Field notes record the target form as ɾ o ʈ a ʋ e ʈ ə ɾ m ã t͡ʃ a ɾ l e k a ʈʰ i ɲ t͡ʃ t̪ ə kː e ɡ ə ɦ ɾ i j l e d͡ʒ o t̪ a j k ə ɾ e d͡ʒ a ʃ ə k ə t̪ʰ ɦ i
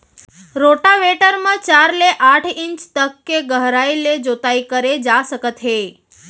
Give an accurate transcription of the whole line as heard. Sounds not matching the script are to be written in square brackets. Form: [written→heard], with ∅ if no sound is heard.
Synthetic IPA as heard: ɾ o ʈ a ʋ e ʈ ə ɾ m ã t͡ʃ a ɾ l e [k→ʔ] a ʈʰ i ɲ t͡ʃ t̪ ə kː e ɡ ə ɦ ɾ [i→a] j l e d͡ʒ o t̪ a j k ə ɾ e d͡ʒ a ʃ ə k ə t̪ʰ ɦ [i→e]